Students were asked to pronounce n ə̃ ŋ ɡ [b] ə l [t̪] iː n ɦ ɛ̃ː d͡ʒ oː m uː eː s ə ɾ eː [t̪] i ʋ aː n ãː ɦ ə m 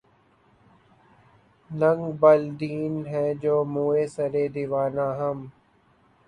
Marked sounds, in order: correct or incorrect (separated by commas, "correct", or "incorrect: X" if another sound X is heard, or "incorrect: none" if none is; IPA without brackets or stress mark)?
correct, incorrect: d̪, incorrect: d̪